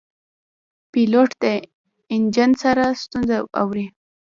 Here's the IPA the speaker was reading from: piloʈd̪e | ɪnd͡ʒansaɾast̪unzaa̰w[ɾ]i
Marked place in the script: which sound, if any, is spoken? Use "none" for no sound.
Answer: ɾ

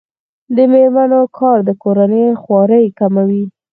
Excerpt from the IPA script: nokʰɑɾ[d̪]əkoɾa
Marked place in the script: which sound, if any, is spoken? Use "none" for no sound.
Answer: d̪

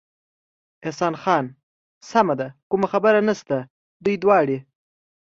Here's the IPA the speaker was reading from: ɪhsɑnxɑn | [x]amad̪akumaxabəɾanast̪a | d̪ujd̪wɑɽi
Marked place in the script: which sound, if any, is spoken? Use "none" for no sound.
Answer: s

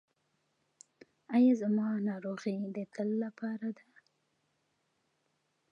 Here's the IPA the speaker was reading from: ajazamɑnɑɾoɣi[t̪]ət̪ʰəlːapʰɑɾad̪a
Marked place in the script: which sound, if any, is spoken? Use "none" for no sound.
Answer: d̪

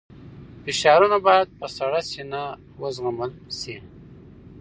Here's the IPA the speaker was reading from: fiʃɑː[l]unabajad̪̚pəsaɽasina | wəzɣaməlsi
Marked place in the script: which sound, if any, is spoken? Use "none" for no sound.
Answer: ɾ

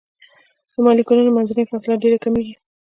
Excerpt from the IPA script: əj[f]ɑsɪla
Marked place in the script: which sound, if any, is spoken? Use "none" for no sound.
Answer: f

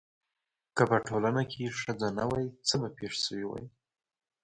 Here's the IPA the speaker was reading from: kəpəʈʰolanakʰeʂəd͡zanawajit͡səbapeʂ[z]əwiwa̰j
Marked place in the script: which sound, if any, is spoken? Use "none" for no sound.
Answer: s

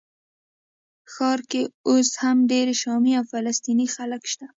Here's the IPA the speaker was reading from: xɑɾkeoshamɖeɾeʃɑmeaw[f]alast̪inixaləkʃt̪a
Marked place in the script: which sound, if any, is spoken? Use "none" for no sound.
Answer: f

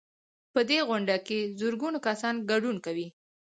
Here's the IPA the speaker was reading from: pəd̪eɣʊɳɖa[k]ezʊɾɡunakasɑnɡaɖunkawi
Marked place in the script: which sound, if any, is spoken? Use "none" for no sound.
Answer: k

